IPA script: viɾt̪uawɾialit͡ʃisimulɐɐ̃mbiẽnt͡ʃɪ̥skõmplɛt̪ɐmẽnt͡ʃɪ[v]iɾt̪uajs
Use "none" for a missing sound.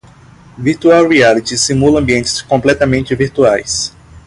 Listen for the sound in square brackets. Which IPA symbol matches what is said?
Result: v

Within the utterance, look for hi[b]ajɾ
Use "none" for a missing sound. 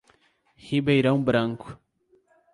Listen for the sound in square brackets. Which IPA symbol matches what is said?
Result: b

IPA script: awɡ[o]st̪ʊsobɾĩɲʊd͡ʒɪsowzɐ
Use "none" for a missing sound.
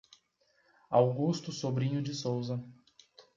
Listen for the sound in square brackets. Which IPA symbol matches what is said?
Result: u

